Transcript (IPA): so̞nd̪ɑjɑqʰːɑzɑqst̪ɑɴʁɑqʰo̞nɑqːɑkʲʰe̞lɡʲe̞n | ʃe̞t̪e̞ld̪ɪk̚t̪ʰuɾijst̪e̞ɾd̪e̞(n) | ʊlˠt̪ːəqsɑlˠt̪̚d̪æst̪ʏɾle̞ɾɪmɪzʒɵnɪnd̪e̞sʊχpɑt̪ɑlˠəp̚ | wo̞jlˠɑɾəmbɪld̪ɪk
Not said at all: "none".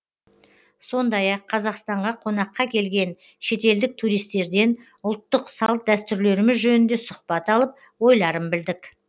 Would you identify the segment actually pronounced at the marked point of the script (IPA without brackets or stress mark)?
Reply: n